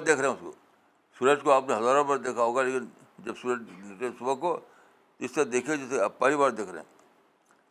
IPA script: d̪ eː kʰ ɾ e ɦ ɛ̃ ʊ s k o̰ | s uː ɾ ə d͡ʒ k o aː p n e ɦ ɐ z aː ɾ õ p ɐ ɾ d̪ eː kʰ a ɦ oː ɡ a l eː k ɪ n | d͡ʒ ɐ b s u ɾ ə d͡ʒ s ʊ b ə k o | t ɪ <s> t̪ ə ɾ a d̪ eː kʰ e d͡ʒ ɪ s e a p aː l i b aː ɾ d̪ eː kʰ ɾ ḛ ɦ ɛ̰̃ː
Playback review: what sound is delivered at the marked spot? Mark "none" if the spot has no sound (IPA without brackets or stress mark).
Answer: s